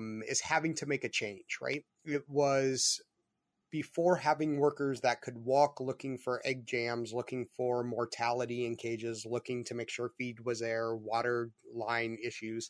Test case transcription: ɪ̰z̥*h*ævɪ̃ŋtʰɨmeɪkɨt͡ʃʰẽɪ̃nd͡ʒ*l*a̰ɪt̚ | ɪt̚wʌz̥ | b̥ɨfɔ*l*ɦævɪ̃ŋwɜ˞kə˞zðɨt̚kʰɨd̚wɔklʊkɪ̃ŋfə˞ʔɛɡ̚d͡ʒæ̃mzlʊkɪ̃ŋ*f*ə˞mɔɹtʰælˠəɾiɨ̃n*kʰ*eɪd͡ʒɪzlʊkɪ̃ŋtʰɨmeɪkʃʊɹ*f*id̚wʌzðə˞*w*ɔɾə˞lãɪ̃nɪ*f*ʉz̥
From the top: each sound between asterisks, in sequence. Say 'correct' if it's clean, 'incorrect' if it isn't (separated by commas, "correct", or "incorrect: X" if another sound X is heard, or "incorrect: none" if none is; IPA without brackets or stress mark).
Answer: correct, incorrect: ɹ, incorrect: ɹ, correct, correct, correct, correct, incorrect: ʃ